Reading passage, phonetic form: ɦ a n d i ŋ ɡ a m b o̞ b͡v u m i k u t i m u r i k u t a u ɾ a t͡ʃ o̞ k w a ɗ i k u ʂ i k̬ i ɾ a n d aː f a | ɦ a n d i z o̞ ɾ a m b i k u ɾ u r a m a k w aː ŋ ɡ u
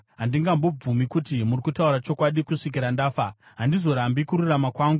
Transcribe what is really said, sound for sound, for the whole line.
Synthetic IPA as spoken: ɦ a n d i ŋ ɡ a m b o̞ b͡v u m i k u t i m u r i k u t a u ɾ a t͡ʃ o̞ k w a ɗ i k u ʂ i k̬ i ɾ a n d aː f a | ɦ a n d i z o̞ ɾ a m b i k u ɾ u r a m a k w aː ŋ ɡ u

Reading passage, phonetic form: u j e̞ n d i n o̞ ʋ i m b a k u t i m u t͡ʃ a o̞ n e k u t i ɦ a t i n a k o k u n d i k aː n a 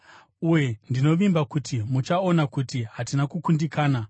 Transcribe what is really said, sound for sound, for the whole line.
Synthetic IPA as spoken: u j e̞ n d i n o̞ ʋ i m b a k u t i m u t͡ʃ a o̞ n a k u t i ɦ a t i n a k u k u n d i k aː n a

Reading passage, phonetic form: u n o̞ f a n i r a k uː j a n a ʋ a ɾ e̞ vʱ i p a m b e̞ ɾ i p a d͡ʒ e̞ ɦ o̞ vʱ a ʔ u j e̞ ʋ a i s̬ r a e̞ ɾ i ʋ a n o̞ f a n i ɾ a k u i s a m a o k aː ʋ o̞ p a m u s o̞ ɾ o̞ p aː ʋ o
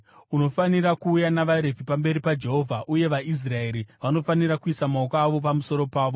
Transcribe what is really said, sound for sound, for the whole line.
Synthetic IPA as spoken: u n o̞ f a n i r a k uː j a n a ʋ a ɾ e̞ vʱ i p a m b e̞ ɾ i p a d͡ʒ e̞ ɦ o̞ vʱ a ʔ u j e̞ ʋ a i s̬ r a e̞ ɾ i ʋ a n o̞ f a n i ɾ a k u i s a m a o k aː ʋ o̞ p a m u s o̞ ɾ o̞ p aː ʋ o

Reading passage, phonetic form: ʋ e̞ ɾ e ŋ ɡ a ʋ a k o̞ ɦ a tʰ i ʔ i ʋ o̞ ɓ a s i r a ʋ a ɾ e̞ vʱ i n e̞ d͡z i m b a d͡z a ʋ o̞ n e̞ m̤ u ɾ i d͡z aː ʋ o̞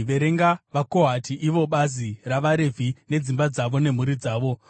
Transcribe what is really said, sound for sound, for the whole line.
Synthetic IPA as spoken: ʋ e̞ ɾ e ŋ ɡ a ʋ a k o̞ ɦ a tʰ i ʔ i ʋ o̞ ɓ a z i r a ʋ a ɾ e̞ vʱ i n e̞ d͡z i m b a d͡z a ʋ o̞ n e̞ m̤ u ɾ i d͡z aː ʋ o̞

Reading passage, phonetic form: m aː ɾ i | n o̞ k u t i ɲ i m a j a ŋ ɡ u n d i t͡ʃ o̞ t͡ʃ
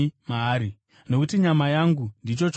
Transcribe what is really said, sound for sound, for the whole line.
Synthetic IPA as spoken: m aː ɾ i | n o̞ k u t i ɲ a m a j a ŋ ɡ u n d i t͡ʃ o̞ t͡ʃ

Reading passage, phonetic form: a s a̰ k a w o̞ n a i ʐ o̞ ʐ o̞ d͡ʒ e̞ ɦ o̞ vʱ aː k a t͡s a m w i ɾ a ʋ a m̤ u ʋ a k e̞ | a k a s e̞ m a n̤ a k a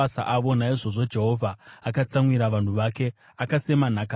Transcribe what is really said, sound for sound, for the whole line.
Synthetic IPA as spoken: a s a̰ ʔ a ʋ o̞ n a i ʐ o̞ ʐ o̞ d͡ʒ e̞ ɦ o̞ vʱ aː k a t͡s a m w i ɾ a ʋ a n̤ u ʋ a k e̞ | a k a s e̞ m a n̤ a k a

